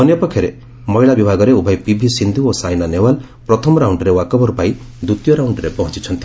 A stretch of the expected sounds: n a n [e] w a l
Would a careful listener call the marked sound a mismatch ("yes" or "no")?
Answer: no